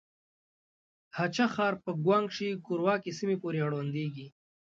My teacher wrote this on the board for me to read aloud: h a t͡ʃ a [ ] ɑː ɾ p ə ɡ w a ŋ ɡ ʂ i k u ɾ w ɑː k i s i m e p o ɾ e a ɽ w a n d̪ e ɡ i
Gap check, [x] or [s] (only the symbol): x